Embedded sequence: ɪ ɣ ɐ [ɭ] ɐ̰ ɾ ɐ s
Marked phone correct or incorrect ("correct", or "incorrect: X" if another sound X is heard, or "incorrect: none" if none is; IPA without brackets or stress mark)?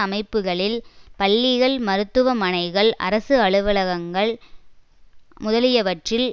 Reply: correct